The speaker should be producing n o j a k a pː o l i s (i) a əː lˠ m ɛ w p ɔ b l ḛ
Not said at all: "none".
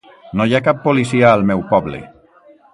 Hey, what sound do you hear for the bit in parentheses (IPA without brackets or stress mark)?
i